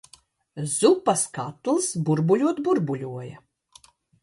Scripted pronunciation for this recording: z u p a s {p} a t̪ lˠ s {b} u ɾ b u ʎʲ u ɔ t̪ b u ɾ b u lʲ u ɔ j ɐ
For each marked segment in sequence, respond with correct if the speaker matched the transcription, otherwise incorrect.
incorrect: k, correct

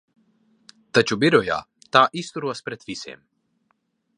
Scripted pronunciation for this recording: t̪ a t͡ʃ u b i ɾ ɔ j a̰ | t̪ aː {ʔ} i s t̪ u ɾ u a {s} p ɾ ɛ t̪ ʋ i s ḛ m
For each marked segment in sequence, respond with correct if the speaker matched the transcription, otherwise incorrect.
correct, correct

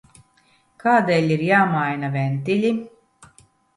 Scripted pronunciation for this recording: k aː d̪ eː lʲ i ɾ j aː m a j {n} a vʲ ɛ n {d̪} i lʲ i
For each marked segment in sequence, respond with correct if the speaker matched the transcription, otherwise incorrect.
correct, incorrect: t̪

